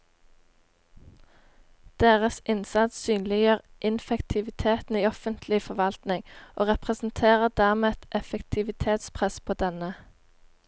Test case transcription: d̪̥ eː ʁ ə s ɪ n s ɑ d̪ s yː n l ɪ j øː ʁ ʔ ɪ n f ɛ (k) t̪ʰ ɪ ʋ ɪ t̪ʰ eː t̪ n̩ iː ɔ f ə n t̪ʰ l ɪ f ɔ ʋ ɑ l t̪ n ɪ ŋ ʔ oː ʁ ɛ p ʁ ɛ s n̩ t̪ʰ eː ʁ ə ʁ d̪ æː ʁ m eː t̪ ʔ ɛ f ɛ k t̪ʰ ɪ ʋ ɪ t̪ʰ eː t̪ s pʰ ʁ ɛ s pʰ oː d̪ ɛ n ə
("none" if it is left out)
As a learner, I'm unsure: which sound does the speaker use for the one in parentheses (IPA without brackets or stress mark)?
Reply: k